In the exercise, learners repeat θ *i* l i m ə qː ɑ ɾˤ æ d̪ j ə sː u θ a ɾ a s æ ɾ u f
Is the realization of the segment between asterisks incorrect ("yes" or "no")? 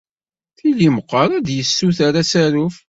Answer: no